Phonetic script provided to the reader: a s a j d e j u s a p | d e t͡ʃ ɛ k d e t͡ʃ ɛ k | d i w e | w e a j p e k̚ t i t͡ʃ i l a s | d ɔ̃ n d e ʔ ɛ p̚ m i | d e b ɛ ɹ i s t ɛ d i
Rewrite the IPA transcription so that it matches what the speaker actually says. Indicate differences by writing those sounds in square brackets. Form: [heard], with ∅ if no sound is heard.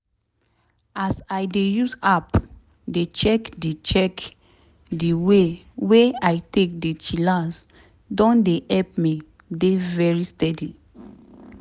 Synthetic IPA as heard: a s a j d e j u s a p | d e t͡ʃ ɛ k d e t͡ʃ ɛ k | d i w e | w e a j [t] e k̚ [d] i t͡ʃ i l a s | d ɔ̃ n d e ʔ ɛ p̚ m i | d e [v] ɛ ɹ i s t ɛ d i